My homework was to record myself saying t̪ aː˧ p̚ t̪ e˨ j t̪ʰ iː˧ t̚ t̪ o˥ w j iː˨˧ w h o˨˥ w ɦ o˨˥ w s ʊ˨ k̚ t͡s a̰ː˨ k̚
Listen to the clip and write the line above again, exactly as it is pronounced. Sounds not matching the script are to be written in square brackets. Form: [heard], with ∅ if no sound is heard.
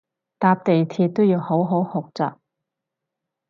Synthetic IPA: t̪ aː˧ p̚ t̪ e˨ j t̪ʰ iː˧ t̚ t̪ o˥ w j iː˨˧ w h o˨˥ w ɦ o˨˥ w [h] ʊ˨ k̚ t͡s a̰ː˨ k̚